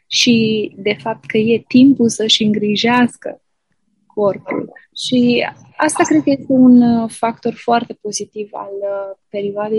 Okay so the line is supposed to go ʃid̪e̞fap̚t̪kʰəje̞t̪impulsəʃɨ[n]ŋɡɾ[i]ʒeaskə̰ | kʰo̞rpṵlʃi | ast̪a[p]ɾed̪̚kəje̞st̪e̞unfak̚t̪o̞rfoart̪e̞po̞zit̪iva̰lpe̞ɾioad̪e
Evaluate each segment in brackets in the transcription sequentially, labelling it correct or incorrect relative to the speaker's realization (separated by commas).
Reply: incorrect, correct, incorrect